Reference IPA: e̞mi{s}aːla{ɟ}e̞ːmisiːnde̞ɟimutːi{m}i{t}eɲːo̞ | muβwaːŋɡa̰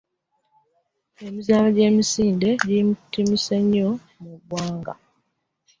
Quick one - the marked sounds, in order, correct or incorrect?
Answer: incorrect: z, correct, correct, incorrect: s

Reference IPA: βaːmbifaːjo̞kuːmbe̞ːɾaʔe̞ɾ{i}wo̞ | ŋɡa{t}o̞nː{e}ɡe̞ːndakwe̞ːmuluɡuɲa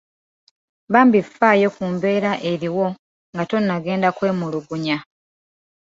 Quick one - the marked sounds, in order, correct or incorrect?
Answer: correct, correct, incorrect: a

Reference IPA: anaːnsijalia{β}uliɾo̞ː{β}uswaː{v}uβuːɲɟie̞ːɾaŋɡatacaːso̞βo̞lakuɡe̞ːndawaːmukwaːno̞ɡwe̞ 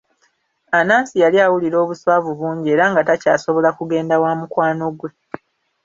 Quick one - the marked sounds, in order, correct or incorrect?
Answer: incorrect: w, correct, correct

